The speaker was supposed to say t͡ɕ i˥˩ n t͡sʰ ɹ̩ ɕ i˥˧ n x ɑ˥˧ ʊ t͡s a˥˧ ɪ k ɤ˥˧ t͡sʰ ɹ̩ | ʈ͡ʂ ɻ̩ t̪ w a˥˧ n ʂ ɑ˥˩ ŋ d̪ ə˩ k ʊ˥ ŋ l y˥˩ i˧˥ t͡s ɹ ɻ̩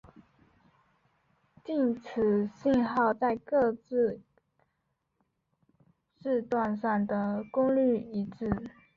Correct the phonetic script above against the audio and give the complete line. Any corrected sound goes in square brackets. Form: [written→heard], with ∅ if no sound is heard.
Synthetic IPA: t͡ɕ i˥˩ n t͡sʰ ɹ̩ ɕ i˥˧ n x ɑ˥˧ ʊ t͡s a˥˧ ɪ k ɤ˥˧ [t͡sʰ→t͡s] ɹ̩ | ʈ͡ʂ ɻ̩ t̪ w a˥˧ n ʂ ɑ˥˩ ŋ d̪ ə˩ k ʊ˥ ŋ l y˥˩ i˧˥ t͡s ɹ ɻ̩